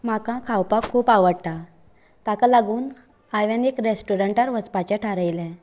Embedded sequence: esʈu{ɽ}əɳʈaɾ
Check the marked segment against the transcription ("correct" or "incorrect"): incorrect